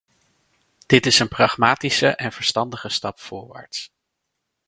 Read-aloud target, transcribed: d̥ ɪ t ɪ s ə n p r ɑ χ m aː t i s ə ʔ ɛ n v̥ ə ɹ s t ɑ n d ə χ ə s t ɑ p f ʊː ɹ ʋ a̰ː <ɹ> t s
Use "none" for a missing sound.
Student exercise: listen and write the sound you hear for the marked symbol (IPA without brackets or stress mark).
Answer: ɹ